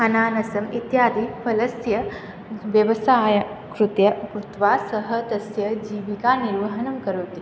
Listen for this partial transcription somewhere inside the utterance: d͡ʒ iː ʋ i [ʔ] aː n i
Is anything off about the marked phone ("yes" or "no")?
yes